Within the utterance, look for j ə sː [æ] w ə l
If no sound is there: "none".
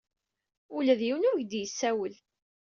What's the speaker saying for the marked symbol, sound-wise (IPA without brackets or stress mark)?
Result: æ